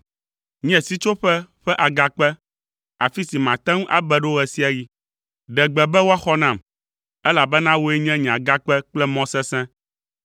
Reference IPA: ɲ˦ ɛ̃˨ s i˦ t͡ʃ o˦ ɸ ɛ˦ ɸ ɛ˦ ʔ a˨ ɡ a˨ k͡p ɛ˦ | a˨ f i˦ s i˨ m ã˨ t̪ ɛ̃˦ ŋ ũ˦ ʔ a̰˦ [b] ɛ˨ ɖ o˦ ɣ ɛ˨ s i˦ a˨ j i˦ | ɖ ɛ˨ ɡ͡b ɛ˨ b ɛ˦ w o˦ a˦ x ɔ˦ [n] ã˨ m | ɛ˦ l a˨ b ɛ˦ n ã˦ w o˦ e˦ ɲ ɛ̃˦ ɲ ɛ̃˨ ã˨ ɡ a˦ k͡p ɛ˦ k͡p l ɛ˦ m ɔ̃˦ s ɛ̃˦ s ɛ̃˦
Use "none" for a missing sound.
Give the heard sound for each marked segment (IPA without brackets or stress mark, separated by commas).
b, n